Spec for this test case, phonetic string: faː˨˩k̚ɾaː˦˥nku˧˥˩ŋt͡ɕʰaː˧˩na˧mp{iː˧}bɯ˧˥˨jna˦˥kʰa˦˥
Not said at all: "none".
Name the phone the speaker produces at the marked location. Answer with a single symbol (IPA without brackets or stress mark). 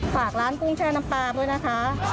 aː˧